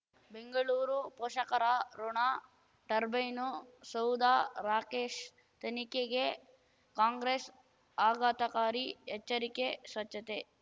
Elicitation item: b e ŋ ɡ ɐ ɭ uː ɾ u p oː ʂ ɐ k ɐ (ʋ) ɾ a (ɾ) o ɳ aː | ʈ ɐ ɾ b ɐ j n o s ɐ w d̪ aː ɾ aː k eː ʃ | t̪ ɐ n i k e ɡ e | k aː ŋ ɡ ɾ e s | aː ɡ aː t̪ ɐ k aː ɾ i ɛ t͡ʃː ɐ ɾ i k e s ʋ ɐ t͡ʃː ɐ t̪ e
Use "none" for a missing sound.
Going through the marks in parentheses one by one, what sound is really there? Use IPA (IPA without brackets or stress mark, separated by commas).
none, ɾ